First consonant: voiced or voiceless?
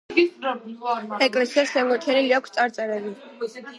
voiceless